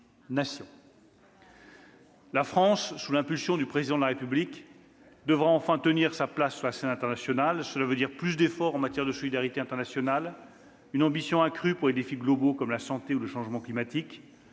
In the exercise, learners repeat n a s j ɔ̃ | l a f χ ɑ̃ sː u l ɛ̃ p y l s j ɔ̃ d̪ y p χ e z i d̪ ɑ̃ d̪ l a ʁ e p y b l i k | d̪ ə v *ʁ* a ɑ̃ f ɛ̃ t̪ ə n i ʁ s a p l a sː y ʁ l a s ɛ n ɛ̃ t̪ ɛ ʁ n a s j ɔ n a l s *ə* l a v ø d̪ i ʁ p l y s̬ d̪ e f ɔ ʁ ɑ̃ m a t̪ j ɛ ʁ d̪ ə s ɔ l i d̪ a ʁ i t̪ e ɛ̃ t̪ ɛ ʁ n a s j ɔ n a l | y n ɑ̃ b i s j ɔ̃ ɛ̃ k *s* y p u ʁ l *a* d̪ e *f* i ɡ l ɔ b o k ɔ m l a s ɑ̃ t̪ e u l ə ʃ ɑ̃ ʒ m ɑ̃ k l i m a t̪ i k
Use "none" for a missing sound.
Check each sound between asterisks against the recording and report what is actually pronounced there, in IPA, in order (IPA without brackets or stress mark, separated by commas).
ʁ, ə, χ, e, f